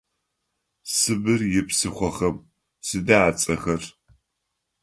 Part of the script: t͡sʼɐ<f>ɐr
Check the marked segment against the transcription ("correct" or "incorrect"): incorrect